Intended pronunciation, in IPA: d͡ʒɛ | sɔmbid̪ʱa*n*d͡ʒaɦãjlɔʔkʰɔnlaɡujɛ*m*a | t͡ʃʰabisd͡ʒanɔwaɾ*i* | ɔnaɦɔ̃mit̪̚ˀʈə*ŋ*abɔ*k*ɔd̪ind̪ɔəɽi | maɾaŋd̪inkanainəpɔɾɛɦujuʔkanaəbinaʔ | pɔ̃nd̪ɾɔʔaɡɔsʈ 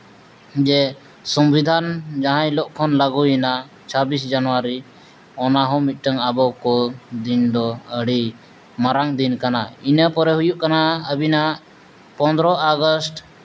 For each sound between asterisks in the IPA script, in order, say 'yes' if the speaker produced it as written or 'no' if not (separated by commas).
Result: yes, no, yes, yes, yes